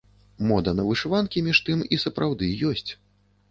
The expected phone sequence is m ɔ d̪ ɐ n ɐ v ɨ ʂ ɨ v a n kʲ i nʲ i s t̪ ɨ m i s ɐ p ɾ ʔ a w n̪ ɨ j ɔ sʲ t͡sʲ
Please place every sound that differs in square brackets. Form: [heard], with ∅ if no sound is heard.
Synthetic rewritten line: m ɔ d̪ ɐ n ɐ v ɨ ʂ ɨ v a n kʲ i [mʲ] i [ʂ] t̪ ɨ m i s ɐ p ɾ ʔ a w [d̪] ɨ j ɔ sʲ t͡sʲ